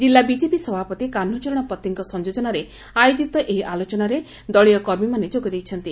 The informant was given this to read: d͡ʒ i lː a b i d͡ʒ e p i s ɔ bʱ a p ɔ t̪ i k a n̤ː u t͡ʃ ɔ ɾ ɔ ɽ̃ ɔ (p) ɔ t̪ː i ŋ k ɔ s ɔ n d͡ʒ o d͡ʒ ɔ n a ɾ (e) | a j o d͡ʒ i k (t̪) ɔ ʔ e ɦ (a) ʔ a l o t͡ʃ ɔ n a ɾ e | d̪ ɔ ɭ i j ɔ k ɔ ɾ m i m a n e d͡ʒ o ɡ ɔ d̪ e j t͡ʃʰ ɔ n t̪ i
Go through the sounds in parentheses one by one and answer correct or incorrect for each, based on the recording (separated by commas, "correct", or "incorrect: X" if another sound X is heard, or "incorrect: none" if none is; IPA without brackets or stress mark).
correct, correct, correct, incorrect: i